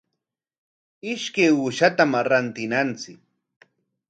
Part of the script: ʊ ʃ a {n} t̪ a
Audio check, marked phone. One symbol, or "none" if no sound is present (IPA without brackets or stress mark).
none